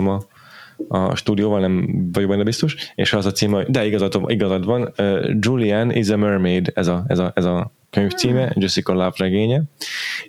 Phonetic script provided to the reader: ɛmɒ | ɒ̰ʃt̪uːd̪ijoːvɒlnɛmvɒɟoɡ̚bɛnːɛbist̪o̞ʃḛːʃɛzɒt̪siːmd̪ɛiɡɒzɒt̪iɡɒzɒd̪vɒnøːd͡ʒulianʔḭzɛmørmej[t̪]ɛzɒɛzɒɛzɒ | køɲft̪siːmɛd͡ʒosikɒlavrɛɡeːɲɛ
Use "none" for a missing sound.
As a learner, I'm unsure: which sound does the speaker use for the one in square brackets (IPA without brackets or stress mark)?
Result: d̪